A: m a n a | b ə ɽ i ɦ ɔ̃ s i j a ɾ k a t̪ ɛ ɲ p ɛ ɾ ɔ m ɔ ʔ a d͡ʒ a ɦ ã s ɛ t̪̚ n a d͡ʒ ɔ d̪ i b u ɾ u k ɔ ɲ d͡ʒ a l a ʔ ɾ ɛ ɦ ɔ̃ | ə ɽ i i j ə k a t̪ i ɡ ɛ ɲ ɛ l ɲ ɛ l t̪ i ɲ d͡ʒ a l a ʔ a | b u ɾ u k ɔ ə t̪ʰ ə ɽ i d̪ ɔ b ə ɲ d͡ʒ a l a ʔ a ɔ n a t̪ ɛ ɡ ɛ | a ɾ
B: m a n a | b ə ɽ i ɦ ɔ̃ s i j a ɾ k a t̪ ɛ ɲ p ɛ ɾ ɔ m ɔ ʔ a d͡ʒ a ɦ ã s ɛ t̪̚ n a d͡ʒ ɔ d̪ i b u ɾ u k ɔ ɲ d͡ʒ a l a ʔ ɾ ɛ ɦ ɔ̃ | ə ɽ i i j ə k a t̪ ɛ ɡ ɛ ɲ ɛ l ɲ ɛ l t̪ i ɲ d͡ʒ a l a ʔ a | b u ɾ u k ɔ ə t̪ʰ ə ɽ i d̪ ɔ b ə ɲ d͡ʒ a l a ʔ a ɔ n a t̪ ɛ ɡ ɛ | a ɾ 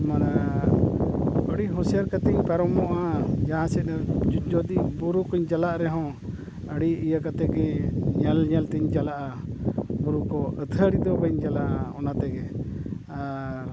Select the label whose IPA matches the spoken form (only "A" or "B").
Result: B